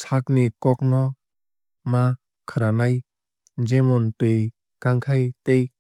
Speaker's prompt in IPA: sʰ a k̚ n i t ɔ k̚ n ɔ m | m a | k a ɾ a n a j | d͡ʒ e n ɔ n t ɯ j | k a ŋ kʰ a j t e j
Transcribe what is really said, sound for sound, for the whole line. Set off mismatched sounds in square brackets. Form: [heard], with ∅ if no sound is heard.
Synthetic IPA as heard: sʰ a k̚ n i [k] ɔ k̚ n ɔ [∅] | m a | [kʰ] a ɾ a n a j | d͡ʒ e [m] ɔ n t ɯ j | k a ŋ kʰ a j t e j